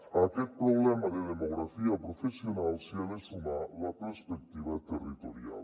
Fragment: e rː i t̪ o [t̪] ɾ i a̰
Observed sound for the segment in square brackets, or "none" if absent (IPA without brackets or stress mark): none